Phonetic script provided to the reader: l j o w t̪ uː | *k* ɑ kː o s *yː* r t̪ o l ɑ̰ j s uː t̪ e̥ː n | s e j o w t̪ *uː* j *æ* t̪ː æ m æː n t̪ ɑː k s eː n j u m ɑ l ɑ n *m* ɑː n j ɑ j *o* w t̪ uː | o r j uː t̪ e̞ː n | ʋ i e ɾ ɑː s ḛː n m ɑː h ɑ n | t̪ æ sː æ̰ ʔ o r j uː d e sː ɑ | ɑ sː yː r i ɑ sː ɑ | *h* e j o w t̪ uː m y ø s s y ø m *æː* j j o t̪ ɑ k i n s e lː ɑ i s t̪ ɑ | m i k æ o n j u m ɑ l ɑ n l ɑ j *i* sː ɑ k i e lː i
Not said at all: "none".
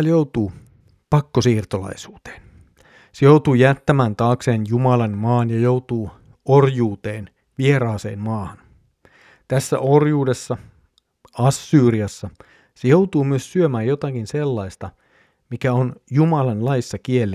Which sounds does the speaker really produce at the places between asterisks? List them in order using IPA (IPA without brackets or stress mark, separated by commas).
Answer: p, iː, uː, æ, m, o, s, æː, i